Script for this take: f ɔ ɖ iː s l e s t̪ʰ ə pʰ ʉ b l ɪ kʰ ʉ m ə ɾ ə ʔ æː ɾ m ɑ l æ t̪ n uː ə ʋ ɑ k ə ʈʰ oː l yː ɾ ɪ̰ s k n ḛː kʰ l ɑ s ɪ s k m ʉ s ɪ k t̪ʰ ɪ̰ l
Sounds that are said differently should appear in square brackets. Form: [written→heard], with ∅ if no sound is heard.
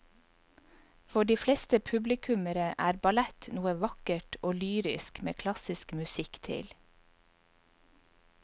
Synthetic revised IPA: f ɔ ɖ iː [s→f] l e s [t̪ʰ→t̪] ə pʰ ʉ b l ɪ kʰ ʉ m ə ɾ ə ʔ æː ɾ [m→b] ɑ l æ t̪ n uː ə ʋ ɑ k ə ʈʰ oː l yː ɾ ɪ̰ s k [n→m] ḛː kʰ l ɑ s ɪ s k m ʉ s ɪ k t̪ʰ ɪ̰ l